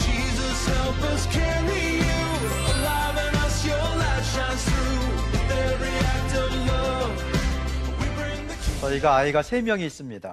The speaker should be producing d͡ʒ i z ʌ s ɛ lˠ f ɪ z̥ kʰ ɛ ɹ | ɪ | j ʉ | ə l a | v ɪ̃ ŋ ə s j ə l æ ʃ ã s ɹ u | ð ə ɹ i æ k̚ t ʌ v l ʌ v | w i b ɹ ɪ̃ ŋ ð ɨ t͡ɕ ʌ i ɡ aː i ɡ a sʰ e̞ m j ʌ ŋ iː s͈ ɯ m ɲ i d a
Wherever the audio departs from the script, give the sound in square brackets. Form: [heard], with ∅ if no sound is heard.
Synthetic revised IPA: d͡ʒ i z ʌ s ɛ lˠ f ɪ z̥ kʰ ɛ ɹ | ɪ | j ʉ | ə l a | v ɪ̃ ŋ [ʌ] s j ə l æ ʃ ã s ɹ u | ð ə ɹ i æ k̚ t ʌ v l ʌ v | w i b ɹ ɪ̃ ŋ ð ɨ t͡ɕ ʌ i ɡ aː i ɡ a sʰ e̞ m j ʌ ŋ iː s͈ ɯ m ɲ i d a